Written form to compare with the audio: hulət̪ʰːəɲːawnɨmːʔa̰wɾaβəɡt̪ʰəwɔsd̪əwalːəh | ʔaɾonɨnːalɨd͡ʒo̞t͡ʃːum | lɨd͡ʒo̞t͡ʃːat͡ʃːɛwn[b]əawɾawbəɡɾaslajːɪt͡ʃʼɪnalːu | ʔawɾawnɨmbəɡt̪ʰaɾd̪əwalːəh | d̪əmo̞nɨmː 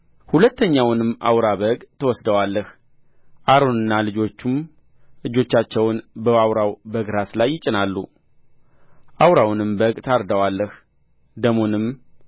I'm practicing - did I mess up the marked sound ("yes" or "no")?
no